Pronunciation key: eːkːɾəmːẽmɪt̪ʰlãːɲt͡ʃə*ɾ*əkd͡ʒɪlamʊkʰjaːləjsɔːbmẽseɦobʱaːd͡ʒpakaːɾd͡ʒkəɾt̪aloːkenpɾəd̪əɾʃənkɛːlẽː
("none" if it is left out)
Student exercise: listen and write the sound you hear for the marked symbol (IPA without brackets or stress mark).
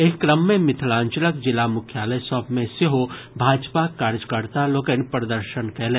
l